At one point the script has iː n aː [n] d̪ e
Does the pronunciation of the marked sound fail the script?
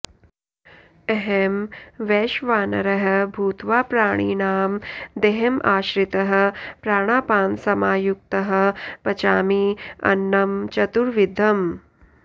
yes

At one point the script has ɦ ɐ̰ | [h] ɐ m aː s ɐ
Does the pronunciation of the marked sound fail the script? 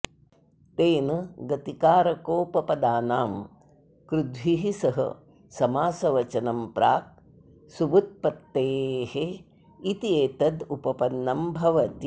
yes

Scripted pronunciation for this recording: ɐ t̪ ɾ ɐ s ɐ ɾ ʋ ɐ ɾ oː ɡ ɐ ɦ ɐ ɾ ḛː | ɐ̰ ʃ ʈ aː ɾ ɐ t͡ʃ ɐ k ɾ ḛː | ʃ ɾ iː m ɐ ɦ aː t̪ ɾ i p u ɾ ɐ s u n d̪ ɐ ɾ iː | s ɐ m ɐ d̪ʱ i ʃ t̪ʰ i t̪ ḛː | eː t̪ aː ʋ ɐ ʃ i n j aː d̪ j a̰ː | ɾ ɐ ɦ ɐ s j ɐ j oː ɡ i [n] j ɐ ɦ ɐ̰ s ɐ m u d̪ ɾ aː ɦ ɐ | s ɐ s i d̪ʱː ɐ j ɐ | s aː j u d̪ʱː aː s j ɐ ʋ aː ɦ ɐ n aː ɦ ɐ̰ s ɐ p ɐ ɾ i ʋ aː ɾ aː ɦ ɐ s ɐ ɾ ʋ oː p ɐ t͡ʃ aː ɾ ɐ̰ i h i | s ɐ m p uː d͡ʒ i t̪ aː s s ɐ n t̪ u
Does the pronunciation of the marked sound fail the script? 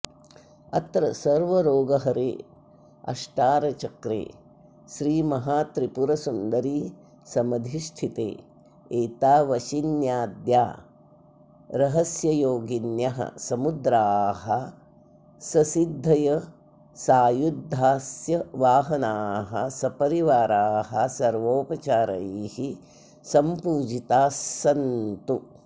no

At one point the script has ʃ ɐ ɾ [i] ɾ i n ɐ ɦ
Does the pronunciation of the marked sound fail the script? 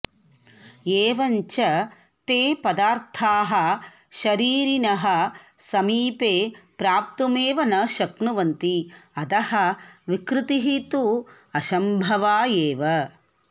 yes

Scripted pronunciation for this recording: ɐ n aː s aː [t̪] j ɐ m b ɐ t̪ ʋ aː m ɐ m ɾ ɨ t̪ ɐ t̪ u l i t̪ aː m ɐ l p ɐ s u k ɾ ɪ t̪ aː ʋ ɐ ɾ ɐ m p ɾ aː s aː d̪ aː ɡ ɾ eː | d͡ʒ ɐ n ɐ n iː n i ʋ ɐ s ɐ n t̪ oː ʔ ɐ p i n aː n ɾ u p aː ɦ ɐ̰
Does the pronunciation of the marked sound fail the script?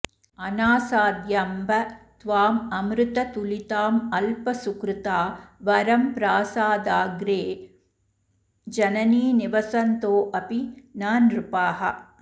yes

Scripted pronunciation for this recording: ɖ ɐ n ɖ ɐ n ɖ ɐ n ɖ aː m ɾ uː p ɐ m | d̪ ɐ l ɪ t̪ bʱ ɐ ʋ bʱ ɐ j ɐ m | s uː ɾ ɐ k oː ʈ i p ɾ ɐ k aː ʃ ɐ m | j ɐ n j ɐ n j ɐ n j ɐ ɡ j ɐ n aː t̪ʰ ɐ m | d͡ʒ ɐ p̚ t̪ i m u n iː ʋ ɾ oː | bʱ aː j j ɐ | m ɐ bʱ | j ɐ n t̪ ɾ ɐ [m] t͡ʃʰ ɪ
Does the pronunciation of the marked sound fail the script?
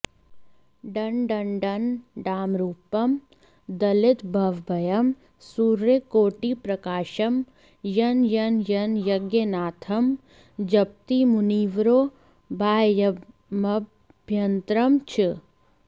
no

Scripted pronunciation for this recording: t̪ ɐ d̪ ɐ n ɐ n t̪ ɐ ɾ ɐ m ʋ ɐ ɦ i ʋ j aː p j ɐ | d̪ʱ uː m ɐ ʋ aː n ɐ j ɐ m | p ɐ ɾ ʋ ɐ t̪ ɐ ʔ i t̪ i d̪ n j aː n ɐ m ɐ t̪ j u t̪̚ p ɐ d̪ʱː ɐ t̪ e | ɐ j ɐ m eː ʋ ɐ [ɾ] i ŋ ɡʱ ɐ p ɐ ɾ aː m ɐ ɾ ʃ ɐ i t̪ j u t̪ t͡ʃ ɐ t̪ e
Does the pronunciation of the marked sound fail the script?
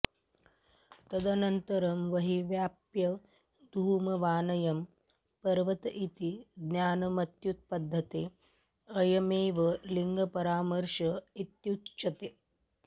yes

